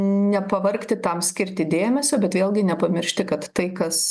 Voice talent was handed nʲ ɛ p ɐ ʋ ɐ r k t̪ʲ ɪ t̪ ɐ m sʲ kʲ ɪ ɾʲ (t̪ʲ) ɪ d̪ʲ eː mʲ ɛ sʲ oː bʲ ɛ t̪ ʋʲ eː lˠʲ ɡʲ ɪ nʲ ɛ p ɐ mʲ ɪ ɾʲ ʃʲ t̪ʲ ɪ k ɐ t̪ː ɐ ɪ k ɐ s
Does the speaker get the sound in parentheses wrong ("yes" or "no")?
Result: no